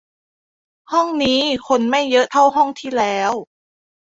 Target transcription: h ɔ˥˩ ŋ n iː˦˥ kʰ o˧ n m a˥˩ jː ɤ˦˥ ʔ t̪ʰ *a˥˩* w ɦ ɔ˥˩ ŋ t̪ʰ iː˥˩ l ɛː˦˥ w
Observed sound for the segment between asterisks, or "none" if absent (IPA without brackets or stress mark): a˥˩